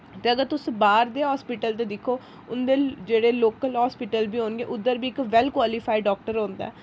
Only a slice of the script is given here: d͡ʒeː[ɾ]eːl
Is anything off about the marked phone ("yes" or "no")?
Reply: yes